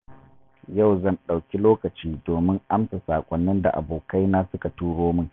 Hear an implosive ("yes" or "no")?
yes